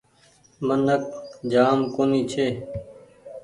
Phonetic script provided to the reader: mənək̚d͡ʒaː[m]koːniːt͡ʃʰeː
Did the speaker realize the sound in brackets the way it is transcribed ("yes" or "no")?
yes